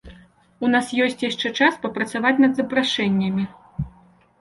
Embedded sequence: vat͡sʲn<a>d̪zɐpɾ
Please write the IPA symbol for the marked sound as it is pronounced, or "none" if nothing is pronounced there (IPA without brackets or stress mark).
ɐ